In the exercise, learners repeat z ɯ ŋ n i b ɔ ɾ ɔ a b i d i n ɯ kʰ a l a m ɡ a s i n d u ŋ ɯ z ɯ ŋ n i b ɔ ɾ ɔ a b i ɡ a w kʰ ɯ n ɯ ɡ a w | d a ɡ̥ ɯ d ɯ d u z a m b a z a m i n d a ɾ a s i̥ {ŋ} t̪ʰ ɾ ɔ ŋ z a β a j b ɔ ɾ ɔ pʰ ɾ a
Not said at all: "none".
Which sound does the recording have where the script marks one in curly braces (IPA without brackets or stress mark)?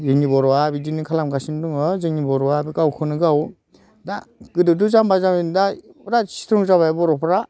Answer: none